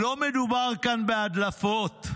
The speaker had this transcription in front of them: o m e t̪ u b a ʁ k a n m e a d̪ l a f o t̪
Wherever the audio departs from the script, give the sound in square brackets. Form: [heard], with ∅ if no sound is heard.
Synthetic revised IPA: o m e [d̪] u b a ʁ k a n [b] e a d̪ l a f o t̪